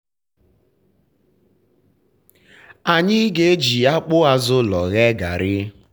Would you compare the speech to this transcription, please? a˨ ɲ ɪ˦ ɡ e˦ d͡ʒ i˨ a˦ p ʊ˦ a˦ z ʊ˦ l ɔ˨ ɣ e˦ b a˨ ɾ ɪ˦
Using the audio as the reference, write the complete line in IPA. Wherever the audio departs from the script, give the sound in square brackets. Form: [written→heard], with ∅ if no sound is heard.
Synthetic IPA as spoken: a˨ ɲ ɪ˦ ɡ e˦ d͡ʒ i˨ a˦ [p→k͡p] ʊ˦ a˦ z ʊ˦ l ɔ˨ ɣ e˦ [b→ɡ] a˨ ɾ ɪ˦